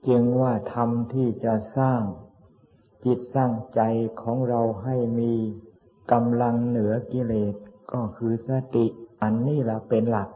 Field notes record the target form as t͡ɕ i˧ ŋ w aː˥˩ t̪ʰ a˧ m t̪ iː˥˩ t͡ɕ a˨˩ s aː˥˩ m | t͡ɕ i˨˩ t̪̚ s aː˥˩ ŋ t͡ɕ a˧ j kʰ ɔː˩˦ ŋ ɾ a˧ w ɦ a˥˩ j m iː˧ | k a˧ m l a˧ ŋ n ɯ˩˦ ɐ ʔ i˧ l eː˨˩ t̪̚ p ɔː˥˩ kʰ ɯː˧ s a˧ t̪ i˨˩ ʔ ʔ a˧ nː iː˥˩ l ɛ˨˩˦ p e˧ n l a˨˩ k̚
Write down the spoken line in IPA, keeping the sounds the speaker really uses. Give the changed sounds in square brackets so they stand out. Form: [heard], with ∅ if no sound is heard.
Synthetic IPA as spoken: t͡ɕ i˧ ŋ w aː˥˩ t̪ʰ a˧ m [t̪ʰ] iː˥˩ t͡ɕ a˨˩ s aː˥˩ [ŋ] | t͡ɕ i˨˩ t̪̚ s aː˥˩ ŋ t͡ɕ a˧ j kʰ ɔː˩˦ ŋ ɾ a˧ w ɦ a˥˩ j m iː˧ | k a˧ m l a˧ ŋ n ɯ˩˦ ɐ [k] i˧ l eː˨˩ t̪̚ [k] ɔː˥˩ kʰ ɯː˧ s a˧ t̪ i˨˩ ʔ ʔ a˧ nː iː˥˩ l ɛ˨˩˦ p e˧ n l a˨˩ k̚